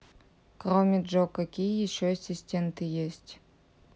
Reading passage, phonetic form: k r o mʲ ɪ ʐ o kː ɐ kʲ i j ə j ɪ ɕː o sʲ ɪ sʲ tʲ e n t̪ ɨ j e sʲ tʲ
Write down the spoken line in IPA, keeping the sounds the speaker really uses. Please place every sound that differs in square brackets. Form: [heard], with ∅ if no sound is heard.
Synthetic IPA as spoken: k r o mʲ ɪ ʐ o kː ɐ kʲ i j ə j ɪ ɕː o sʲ ɪ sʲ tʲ e n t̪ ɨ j e sʲ tʲ

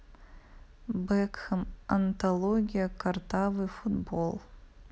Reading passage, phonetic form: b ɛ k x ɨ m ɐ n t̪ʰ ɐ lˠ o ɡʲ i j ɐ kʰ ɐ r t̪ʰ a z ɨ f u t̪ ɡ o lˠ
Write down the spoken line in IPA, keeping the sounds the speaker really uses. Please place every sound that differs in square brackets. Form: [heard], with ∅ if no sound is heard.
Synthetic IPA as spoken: b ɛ k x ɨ m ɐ n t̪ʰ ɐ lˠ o ɡʲ i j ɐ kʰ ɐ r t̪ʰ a [v] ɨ f u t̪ [b] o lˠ

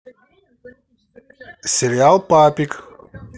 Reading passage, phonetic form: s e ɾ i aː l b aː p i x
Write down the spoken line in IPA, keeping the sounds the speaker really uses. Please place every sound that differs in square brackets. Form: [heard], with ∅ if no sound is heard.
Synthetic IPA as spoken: s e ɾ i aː l [p] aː p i [k]

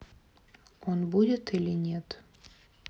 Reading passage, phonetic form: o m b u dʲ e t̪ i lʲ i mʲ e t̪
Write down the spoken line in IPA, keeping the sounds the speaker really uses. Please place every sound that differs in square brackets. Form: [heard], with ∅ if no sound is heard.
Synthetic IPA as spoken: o [n] b u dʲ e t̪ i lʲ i [nʲ] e t̪

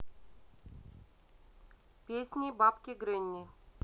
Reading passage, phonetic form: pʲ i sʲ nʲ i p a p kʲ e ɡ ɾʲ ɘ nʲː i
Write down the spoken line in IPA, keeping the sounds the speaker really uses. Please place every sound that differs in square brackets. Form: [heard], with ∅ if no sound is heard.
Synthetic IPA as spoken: pʲ [e] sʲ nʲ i [b] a p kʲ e ɡ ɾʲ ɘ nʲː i

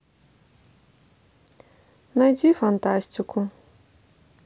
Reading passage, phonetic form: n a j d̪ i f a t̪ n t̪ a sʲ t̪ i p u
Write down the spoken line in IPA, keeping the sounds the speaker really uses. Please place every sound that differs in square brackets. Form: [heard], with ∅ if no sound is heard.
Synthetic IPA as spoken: n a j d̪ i f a [∅] n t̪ a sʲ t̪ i [k] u

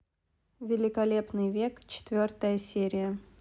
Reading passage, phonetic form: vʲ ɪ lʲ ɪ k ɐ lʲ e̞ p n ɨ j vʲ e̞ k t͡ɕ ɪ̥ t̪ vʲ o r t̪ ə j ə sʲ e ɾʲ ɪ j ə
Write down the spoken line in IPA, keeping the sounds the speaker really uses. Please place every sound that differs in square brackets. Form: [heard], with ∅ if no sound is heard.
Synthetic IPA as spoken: vʲ ɪ lʲ ɪ k ɐ lʲ e̞ p n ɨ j vʲ e̞ k t͡ɕ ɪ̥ t̪ vʲ o r t̪ ə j ə sʲ e ɾʲ ɪ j ə

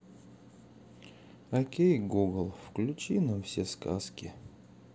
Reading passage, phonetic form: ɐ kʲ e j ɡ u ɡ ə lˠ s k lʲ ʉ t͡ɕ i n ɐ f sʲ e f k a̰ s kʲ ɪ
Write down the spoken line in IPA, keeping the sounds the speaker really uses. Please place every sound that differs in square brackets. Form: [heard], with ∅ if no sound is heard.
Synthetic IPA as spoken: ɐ kʲ e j ɡ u ɡ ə lˠ [f] k lʲ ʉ t͡ɕ i n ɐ f sʲ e [s] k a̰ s kʲ ɪ

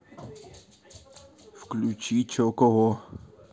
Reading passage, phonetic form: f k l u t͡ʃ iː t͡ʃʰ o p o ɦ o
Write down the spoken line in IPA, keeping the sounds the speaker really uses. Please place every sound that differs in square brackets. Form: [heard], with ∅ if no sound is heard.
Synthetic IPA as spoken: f k l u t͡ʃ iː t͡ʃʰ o [k] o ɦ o

